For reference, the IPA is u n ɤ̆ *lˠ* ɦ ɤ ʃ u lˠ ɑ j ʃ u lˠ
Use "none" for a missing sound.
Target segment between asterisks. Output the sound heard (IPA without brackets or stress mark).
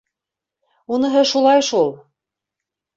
none